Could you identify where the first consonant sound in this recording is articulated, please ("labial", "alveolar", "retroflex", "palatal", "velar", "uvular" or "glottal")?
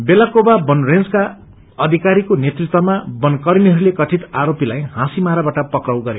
labial